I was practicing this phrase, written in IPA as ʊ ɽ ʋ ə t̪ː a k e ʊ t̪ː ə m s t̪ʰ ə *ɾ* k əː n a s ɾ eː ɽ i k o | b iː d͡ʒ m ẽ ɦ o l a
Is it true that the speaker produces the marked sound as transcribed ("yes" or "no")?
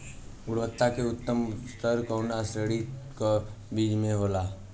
yes